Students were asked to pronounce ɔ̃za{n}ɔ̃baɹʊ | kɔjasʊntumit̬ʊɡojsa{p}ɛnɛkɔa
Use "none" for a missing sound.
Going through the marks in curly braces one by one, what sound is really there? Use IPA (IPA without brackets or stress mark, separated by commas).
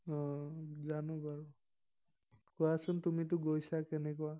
n, k